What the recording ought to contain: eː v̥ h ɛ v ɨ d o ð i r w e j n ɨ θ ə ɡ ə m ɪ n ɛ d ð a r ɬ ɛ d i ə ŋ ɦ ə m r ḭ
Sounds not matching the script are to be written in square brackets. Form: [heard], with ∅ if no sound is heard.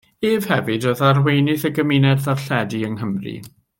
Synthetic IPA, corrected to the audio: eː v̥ h ɛ v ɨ d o ð [a] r w e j n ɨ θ ə ɡ ə m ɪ n ɛ d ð a r ɬ ɛ d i ə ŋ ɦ ə m r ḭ